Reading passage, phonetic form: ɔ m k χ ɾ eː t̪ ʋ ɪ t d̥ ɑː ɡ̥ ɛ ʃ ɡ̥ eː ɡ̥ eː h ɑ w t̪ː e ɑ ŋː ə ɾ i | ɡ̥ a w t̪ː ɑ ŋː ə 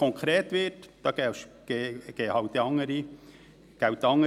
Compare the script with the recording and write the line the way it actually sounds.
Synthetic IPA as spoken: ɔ ŋ k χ ɾ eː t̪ ʋ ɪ t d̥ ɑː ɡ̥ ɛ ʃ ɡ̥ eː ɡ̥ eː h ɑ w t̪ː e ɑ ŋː ə ɾ i | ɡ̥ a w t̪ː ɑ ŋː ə

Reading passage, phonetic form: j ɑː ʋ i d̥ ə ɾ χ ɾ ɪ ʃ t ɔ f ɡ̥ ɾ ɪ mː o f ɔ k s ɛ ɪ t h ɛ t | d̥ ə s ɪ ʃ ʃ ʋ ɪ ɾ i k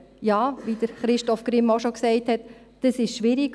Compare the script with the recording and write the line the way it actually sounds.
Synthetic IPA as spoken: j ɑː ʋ i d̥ ə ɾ χ ɾ ɪ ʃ t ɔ f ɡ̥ ɾ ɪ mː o ʃ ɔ k s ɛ ɪ t h ɛ t | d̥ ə s ɪ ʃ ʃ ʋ ɪ ɾ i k

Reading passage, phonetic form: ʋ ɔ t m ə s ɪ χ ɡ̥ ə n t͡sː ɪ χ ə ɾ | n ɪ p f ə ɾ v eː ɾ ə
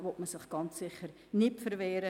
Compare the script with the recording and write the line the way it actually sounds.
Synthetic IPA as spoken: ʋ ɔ t m ə s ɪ χ ɡ̥ ɑ n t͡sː ɪ χ ə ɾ | n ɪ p f ə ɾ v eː ɾ ə

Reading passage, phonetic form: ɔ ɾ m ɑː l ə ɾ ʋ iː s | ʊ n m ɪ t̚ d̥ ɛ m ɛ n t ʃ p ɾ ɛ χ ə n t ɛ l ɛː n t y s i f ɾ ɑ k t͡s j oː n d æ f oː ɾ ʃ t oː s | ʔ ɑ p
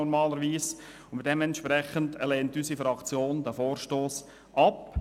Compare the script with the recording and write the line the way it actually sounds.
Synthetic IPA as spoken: ɔ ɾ m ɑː l ə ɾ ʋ iː s | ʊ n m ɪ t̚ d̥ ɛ m ɛ n t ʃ p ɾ ɛ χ ə n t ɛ l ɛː n t y s i f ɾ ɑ k t͡s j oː n d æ f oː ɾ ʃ t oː s | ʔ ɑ p

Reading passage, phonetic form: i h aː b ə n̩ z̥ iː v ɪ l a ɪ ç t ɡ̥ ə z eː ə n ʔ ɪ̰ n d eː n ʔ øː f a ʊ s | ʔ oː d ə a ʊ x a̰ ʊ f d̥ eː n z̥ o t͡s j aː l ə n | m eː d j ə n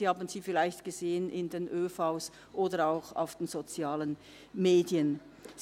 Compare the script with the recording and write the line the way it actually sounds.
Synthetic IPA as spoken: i h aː b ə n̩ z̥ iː f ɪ l a ɪ ç t ɡ̥ ə z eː ə n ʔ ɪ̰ n d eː n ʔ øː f a ʊ s | ʔ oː d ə a ʊ x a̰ ʊ f d̥ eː n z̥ o t͡s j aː l ə n | m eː d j ə n

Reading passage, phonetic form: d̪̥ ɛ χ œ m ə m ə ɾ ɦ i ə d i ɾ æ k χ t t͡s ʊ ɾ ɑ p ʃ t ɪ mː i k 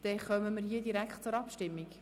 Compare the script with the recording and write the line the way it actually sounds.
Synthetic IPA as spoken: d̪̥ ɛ χ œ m ə m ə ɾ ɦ i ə d i ɾ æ k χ t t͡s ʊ ɾ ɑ p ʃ t ɪ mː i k

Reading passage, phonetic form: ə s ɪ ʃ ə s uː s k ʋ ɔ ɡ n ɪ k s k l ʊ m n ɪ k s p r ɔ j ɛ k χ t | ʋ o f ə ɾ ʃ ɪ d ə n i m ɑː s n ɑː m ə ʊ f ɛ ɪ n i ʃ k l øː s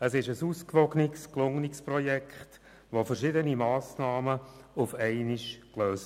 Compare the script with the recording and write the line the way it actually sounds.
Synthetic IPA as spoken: ə s ɪ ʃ ə s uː s k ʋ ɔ ɡ n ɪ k s k l ʊ ŋ n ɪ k s p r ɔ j ɛ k χ t | ʋ o f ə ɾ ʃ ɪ d ə n i m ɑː s n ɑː m ə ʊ f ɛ ɪ n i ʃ k l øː s

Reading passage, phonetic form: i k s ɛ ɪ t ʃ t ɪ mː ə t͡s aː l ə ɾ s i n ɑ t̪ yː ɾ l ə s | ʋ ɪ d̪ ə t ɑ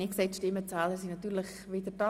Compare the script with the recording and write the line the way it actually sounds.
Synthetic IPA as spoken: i k s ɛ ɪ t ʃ t ɪ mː ə t͡s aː l ə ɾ s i n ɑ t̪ yː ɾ l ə χ | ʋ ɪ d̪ ə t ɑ

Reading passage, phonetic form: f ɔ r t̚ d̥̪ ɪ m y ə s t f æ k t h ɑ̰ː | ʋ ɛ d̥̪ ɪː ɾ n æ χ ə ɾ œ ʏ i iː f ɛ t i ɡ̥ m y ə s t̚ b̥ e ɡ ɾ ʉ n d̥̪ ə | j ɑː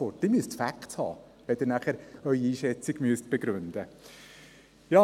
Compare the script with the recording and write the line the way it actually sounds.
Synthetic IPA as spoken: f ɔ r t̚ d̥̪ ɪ m y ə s t f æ k t h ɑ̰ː | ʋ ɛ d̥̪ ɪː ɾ n æ χ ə ɾ œ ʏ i iː ʃ ɛ t͡s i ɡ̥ m y ə s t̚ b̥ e ɡ ɾ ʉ n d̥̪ ə | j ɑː

